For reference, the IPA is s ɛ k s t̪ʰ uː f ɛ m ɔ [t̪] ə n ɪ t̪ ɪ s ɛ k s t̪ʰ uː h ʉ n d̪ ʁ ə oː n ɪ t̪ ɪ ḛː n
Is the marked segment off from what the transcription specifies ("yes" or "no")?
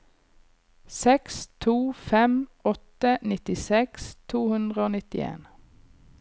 no